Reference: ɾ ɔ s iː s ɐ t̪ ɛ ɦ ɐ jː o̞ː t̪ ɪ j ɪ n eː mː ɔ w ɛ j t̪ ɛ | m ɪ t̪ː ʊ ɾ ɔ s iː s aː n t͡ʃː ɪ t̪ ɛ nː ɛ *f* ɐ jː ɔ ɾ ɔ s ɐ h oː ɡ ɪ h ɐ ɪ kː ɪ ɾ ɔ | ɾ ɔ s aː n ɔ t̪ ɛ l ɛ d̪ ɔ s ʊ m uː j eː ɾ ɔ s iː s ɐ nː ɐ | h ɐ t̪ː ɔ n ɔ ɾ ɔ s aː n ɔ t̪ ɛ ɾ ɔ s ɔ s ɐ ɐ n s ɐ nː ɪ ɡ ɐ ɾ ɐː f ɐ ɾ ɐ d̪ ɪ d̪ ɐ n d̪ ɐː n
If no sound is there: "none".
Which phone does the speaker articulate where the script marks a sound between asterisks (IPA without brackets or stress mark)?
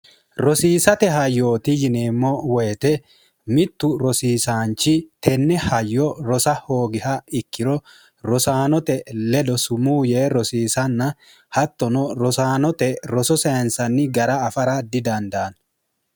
h